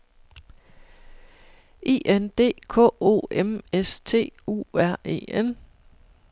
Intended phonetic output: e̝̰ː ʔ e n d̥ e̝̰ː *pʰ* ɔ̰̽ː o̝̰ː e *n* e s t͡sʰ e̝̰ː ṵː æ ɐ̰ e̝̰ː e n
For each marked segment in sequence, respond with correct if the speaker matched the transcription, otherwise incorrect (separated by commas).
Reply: incorrect, incorrect